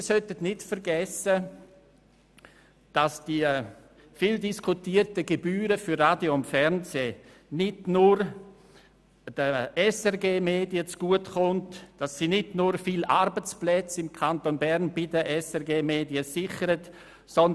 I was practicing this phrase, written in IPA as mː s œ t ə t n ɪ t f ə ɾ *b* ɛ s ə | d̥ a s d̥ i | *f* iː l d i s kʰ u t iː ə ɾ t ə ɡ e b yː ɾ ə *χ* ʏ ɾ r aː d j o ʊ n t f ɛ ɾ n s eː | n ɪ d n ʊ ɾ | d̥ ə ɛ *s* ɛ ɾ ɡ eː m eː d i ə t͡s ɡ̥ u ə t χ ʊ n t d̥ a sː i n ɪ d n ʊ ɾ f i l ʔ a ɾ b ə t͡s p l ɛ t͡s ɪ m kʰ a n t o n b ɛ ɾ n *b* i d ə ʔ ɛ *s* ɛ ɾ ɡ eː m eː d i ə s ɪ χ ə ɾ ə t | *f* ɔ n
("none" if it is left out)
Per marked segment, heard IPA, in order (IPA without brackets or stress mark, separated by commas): ɡ, f, f, s, b, s, s